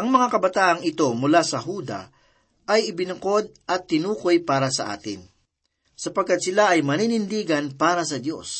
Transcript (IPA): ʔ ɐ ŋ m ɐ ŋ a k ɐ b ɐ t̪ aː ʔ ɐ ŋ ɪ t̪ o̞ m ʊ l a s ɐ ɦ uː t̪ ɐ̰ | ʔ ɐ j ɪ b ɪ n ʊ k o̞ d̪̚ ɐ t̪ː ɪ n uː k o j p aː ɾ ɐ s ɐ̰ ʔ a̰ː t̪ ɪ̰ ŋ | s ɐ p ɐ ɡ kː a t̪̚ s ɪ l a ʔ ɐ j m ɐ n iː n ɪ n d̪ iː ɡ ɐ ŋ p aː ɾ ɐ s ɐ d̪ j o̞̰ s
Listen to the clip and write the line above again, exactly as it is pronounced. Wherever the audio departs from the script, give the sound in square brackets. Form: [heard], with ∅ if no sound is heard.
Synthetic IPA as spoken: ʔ ɐ ŋ m ɐ ŋ a k ɐ b ɐ t̪ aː ʔ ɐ ŋ ɪ t̪ o̞ m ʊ l a s ɐ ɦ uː [d̪] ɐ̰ | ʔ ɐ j ɪ b ɪ n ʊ k o̞ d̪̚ ɐ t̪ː ɪ n uː k o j p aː ɾ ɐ s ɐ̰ ʔ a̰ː t̪ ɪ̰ [n] | s ɐ p ɐ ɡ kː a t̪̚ s ɪ l a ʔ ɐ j m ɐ n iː n ɪ n d̪ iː ɡ ɐ [n] p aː ɾ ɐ s ɐ d̪ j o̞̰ s